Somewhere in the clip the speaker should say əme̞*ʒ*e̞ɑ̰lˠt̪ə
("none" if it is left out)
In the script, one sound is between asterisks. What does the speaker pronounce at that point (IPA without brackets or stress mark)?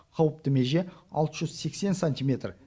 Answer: ʒ